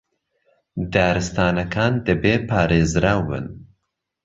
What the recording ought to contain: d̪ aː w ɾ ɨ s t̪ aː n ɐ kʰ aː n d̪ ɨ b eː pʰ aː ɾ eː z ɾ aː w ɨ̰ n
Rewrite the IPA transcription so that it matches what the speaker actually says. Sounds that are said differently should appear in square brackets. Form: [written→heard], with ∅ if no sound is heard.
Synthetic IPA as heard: d̪ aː [w→∅] ɾ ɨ s t̪ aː n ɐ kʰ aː n d̪ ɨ b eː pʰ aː ɾ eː z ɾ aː w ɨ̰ n